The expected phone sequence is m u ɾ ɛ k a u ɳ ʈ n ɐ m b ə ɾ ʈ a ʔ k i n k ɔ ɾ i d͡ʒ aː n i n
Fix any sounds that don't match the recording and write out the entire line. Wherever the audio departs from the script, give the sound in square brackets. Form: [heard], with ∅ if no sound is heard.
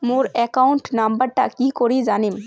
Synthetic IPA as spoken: m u ɾ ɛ k a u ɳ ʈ n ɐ m b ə ɾ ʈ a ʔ k i [∅] k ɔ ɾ i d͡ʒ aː n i [m]